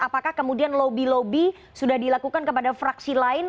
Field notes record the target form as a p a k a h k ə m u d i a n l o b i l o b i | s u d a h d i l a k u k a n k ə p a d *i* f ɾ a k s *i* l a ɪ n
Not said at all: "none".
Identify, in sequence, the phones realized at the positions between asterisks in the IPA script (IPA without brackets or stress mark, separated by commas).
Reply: a, i